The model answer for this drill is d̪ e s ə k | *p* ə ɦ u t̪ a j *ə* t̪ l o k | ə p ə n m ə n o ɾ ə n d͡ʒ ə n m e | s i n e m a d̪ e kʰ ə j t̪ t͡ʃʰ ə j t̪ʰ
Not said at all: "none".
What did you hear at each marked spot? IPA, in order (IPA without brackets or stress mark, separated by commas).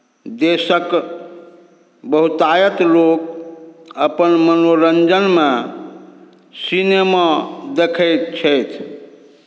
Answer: b, ə